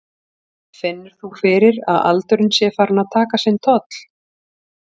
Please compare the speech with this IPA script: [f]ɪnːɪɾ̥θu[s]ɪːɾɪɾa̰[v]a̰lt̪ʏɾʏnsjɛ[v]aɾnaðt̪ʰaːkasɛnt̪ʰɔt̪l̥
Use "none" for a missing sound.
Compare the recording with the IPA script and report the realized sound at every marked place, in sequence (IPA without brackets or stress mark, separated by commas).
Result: f, f, ð, f